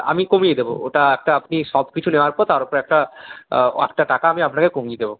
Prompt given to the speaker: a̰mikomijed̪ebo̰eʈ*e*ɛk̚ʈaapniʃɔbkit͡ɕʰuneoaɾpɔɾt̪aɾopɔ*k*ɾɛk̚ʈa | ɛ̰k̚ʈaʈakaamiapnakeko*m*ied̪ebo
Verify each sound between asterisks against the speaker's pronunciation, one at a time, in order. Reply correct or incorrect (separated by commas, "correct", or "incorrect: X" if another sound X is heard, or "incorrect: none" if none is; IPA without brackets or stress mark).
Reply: incorrect: a, incorrect: none, correct